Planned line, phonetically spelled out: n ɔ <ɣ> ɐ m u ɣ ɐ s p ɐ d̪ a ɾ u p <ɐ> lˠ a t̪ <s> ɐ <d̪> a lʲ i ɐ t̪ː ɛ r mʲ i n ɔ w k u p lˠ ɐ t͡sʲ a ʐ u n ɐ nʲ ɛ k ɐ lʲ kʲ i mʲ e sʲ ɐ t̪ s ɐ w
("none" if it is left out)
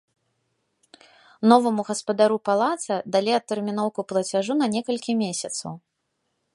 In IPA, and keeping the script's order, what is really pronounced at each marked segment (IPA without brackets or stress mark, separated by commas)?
v, a, s, d̪